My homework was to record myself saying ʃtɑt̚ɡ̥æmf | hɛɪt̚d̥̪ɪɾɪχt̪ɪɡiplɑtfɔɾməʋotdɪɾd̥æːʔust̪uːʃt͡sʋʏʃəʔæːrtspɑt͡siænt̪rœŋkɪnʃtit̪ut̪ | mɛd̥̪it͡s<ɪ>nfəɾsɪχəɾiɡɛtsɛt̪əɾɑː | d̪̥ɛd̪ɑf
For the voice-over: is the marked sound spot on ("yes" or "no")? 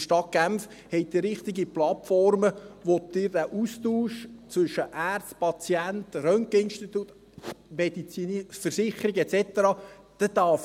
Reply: no